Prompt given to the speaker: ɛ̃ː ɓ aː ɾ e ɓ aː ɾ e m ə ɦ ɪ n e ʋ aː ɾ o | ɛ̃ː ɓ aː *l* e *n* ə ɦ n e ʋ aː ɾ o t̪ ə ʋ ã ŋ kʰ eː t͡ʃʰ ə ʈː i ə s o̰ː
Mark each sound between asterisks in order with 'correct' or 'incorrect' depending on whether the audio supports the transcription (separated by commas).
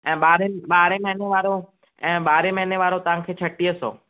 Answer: incorrect, incorrect